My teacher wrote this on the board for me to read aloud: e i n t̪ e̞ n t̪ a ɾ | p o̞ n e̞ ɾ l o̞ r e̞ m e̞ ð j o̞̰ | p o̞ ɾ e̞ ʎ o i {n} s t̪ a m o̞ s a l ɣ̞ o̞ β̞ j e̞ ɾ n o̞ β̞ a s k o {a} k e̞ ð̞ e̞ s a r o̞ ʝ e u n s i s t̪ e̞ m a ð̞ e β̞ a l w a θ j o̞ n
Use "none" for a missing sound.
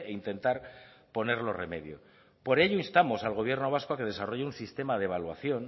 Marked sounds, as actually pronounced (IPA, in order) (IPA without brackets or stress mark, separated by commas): n, a